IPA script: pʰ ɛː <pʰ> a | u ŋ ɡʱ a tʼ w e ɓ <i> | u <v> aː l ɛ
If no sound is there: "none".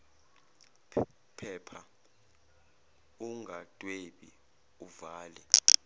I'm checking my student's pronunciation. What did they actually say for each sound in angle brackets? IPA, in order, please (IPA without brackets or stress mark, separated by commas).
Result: pʰ, i, v